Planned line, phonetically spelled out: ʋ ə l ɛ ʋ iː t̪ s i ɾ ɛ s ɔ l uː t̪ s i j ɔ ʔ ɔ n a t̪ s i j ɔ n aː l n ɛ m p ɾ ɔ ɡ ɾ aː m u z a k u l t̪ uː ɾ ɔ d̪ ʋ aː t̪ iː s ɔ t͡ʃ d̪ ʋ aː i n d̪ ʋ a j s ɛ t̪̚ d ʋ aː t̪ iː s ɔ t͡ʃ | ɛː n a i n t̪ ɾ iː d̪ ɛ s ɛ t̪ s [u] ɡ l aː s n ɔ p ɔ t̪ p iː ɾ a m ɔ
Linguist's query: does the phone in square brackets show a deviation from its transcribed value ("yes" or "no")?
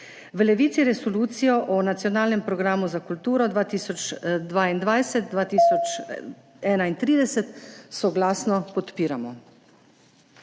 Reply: yes